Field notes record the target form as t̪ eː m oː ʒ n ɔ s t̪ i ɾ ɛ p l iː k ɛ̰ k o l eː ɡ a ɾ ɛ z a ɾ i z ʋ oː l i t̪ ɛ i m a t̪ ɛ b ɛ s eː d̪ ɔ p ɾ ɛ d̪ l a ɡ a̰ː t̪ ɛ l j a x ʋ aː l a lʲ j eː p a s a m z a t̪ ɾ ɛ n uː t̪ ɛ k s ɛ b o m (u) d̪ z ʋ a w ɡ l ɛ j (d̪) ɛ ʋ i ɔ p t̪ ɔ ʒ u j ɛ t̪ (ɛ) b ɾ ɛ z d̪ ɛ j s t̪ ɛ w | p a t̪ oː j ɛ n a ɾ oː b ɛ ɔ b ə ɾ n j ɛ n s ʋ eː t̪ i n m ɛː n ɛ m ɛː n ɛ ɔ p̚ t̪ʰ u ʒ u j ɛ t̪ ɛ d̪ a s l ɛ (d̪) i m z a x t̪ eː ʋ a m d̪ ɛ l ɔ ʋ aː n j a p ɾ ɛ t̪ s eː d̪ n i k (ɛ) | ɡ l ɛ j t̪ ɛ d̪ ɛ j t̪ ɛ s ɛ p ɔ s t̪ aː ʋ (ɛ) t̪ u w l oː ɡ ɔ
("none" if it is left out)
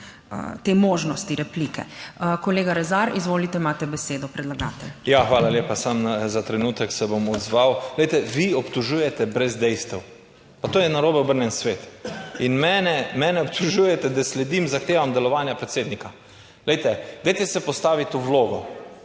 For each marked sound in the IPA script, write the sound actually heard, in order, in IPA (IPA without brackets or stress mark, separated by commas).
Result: ɔ, t̪, ɛ, d̪, a, i